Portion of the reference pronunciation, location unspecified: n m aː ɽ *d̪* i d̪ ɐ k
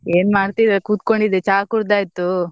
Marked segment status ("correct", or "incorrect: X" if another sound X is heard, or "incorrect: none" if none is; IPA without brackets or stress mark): incorrect: t̪